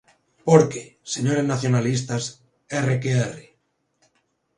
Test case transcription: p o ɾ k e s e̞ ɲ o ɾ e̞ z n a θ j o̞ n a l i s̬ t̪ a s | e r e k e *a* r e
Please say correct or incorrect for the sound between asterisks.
incorrect